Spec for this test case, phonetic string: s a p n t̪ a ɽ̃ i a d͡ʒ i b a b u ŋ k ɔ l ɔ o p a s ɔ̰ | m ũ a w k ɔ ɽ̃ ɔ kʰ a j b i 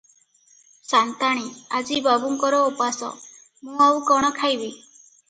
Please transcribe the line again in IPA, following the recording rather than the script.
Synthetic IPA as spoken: s a n t̪ a ɽ̃ i a d͡ʒ i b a b u ŋ k ɔ ɾ ɔ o p a s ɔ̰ | m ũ a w k ɔ ɽ̃ ɔ kʰ a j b i